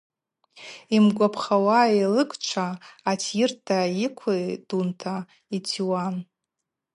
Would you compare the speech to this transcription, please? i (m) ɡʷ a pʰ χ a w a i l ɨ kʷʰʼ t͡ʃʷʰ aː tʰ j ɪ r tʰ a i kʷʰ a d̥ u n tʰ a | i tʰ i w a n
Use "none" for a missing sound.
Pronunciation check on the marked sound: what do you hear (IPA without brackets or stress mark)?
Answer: m